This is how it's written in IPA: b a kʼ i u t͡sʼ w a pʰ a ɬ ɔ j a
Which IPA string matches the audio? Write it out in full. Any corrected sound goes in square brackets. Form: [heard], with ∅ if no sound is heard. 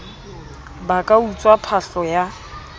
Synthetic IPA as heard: b a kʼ [a] u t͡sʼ w a pʰ a ɬ ɔ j a